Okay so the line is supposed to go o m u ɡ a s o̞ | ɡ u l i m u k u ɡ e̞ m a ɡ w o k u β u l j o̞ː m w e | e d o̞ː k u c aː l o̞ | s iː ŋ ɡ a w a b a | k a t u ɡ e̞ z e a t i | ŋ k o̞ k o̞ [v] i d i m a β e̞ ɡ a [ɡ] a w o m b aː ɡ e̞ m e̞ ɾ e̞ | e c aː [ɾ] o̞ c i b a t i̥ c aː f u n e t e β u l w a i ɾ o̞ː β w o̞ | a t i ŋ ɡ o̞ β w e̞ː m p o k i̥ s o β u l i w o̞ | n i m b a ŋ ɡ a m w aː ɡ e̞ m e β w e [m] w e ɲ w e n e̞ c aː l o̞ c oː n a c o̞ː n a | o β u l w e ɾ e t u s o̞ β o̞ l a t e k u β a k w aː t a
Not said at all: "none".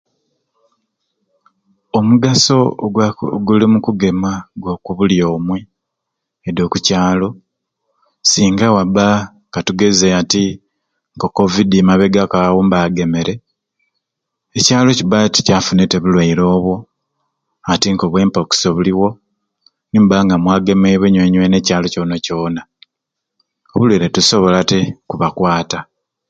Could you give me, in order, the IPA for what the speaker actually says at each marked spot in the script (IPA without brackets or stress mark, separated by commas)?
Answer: v, k, l, ɲ